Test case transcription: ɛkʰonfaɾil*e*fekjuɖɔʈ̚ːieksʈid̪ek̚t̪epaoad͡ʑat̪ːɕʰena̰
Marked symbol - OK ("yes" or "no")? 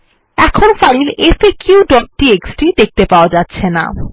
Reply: yes